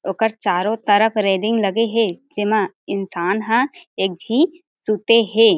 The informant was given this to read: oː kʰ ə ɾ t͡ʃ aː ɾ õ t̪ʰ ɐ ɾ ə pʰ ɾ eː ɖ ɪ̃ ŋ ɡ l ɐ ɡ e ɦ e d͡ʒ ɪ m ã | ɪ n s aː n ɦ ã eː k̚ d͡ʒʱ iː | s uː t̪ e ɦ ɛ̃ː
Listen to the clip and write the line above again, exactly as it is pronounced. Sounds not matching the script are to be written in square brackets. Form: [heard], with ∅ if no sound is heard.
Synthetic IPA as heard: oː [k] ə ɾ t͡ʃ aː ɾ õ [t̪] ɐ ɾ ə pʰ ɾ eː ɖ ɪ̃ ŋ ɡ l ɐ ɡ e ɦ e d͡ʒ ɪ m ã | ɪ n s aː n ɦ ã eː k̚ d͡ʒʱ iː | s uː t̪ e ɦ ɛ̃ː

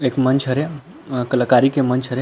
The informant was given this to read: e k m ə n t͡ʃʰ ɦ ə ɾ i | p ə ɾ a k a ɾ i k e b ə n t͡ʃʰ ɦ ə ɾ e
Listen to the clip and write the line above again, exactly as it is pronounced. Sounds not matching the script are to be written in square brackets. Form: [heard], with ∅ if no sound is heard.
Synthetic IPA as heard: e k m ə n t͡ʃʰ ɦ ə ɾ [e] | [k] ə [l] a k a ɾ i k e [m] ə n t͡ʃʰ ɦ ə ɾ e

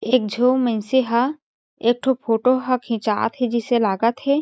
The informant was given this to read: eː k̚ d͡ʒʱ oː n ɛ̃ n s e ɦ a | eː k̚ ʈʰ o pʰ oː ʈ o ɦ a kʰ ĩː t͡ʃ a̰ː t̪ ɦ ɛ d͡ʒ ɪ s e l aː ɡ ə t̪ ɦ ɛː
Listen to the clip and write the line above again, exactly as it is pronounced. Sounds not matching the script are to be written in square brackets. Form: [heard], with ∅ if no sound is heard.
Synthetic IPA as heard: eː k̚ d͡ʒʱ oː [m] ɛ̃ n s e ɦ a | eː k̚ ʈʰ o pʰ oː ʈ o ɦ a kʰ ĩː t͡ʃ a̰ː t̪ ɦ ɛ d͡ʒ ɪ s e l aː ɡ ə t̪ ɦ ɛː

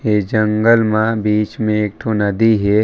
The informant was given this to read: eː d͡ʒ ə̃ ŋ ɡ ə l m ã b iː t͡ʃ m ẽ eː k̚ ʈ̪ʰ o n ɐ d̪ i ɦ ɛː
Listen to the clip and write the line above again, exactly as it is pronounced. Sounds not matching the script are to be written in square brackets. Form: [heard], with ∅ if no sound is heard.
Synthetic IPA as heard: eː d͡ʒ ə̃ ŋ ɡ ə l m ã b iː t͡ʃ m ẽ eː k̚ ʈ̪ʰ o n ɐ d̪ i ɦ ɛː

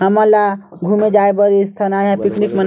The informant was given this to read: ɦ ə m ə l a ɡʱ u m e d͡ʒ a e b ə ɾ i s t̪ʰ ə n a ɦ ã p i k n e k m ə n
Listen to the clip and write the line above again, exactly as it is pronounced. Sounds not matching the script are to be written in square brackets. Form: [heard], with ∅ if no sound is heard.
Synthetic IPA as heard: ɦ ə m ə l a ɡʱ u m e d͡ʒ a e b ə ɾ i s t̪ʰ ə n a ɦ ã p i k n [i] k m ə n

